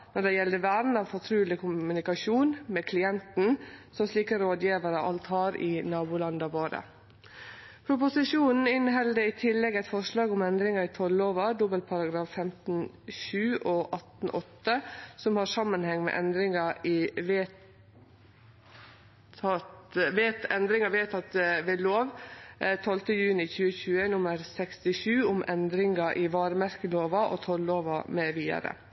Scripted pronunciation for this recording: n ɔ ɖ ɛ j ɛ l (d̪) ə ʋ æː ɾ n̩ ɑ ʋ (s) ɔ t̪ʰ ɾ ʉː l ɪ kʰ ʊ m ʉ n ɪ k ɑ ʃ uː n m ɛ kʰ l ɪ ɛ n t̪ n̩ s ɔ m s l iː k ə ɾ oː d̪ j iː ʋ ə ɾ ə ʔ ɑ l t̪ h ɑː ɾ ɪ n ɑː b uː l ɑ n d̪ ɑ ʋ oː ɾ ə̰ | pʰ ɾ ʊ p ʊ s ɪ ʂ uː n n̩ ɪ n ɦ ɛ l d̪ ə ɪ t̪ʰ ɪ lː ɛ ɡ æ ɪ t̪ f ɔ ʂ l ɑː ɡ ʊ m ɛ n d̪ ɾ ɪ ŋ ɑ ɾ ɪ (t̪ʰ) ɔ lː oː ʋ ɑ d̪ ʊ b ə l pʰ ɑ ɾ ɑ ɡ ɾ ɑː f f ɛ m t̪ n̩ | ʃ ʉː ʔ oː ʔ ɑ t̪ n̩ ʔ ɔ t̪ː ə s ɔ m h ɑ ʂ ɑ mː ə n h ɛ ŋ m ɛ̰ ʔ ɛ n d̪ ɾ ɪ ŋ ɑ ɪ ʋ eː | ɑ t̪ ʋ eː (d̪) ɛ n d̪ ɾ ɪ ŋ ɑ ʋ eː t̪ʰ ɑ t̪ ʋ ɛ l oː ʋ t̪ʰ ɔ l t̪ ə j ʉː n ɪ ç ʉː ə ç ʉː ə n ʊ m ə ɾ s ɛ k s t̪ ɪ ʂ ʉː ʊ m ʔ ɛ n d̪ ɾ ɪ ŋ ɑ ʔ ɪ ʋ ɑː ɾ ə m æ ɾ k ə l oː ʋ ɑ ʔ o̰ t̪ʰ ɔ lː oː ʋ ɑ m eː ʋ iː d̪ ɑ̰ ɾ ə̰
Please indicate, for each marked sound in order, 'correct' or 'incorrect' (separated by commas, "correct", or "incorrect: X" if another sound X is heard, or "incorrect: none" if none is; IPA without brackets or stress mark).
correct, incorrect: f, correct, incorrect: t̪